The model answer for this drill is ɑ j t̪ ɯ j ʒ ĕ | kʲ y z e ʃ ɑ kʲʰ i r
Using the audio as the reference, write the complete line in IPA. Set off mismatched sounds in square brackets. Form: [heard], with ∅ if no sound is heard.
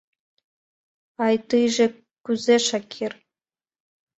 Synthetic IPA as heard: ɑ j t̪ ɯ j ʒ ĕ | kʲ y z e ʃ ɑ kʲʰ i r